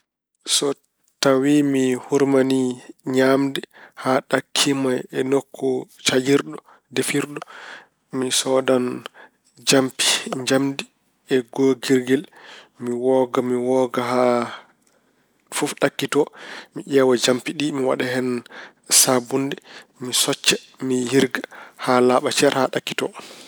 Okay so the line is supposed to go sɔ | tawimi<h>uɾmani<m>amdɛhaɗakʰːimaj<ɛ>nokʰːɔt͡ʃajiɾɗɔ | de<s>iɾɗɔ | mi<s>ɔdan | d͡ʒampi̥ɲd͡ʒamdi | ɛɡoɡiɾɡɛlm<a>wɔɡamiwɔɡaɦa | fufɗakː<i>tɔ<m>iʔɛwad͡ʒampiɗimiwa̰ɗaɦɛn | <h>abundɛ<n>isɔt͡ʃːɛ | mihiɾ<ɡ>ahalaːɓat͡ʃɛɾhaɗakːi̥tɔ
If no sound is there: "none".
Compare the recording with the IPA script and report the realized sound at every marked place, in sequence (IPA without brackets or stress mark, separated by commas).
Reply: h, ɲ, ɛ, f, s, i, i, m, s, m, ɡ